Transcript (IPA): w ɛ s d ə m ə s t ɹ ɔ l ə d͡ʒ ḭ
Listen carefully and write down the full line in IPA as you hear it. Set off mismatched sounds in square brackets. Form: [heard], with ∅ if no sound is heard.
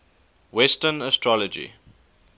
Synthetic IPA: w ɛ s [t] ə [n] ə s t ɹ ɔ l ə d͡ʒ ḭ